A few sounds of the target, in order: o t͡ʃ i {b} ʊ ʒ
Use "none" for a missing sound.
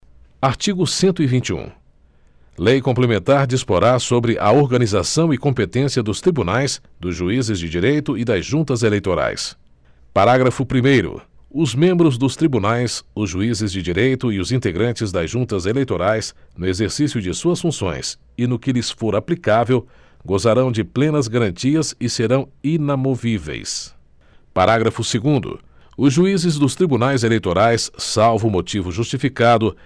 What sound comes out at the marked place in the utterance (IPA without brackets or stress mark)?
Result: v